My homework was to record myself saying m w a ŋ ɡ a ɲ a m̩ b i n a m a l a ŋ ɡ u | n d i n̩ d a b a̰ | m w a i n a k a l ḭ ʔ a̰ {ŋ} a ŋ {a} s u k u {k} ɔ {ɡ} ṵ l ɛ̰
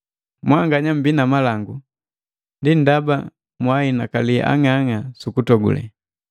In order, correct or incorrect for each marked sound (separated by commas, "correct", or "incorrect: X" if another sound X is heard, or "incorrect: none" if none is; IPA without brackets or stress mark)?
correct, correct, incorrect: t, correct